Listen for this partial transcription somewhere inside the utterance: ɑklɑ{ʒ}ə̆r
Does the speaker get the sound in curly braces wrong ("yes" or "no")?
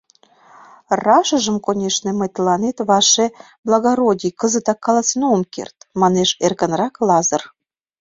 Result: yes